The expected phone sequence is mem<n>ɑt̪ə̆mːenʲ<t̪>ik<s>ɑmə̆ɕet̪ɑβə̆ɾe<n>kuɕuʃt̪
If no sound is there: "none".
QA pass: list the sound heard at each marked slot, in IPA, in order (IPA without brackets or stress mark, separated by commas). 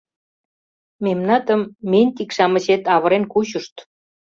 n, t̪, ʃ, n